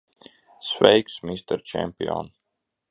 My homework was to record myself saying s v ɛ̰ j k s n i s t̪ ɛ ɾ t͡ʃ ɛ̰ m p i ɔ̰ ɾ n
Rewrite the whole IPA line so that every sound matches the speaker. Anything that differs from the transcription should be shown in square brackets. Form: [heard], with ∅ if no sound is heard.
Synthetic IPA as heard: s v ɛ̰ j k s [m] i s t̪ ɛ ɾ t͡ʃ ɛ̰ m p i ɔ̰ [∅] n